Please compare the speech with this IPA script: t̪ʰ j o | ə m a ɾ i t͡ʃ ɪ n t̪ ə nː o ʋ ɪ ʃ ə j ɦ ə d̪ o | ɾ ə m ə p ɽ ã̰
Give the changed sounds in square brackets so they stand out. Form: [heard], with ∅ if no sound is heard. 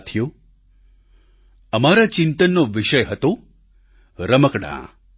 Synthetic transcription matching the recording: t̪ʰ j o | ə m a ɾ [a] t͡ʃ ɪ n t̪ ə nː o ʋ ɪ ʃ ə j ɦ ə [t̪] o | ɾ ə m ə [k] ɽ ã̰